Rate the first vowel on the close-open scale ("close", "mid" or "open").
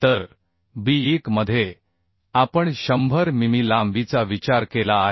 mid